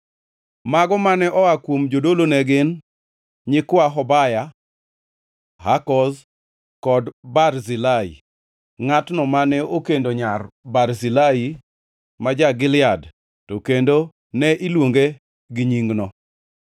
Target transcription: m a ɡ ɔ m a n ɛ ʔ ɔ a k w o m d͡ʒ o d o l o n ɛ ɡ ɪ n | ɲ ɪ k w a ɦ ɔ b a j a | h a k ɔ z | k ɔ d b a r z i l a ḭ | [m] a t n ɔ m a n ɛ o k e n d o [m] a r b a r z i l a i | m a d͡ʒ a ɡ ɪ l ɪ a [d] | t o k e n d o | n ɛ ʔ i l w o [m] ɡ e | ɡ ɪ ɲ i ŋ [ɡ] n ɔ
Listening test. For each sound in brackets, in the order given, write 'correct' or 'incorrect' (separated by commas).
incorrect, incorrect, correct, incorrect, correct